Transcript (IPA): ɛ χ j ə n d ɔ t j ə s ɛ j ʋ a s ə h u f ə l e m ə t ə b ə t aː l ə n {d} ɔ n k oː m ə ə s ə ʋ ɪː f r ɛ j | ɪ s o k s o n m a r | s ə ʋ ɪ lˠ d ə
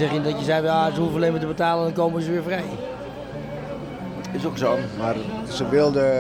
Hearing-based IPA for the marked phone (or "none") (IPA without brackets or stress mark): d